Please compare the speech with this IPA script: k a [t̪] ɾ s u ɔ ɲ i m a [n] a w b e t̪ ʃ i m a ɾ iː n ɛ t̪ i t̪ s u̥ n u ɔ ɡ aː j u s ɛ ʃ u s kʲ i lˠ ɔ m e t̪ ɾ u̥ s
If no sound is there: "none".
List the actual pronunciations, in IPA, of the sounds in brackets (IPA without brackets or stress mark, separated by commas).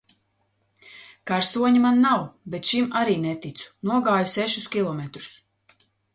none, nː